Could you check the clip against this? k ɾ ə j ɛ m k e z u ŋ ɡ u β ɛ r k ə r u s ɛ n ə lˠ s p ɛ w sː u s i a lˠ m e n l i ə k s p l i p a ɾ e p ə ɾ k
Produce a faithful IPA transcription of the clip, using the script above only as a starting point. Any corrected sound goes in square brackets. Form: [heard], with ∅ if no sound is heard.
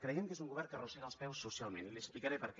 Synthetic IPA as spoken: k ɾ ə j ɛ m k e z u ŋ ɡ u β ɛ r k ə r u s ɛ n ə lˠ s p ɛ w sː u s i a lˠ m e n l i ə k s p l i [k] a ɾ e p ə ɾ k